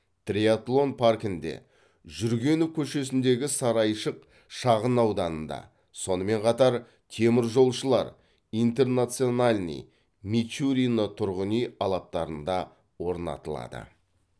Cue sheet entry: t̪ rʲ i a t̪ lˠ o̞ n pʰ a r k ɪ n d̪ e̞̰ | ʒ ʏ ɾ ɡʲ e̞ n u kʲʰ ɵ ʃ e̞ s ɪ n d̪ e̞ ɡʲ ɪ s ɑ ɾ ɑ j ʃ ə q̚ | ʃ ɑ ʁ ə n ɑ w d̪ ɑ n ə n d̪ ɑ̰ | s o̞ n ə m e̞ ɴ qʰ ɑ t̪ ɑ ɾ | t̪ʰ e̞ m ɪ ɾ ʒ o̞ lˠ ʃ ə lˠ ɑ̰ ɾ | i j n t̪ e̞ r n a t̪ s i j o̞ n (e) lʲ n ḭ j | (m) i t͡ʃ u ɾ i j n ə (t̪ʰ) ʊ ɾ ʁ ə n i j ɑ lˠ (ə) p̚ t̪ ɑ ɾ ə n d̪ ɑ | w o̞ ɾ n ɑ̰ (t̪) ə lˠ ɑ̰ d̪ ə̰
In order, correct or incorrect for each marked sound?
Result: incorrect: a, correct, correct, incorrect: ɑ, correct

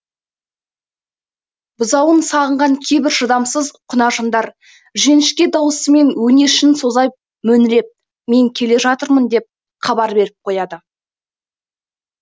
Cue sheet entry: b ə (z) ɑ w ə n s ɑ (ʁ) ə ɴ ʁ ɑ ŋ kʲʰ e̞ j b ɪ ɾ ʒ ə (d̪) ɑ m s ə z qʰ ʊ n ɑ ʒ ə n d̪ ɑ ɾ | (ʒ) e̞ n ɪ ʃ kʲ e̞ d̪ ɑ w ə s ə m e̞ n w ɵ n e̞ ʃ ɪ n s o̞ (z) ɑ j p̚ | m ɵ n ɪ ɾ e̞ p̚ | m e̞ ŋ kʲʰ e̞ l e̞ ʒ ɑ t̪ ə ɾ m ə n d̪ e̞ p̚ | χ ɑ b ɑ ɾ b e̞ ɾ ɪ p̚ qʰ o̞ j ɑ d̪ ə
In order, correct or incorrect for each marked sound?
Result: correct, correct, correct, correct, correct

